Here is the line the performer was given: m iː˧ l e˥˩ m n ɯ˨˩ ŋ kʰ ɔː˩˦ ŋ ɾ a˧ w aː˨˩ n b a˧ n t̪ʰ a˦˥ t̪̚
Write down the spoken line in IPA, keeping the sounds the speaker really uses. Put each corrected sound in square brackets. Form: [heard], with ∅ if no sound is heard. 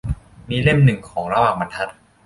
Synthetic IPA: m iː˧ l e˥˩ m n ɯ˨˩ ŋ kʰ ɔː˩˦ ŋ ɾ a˧ w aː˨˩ [ŋ] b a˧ n t̪ʰ a˦˥ t̪̚